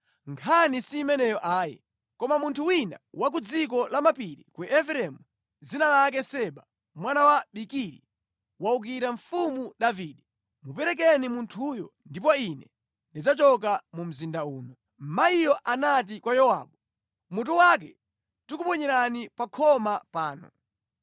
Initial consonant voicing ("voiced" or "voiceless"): voiced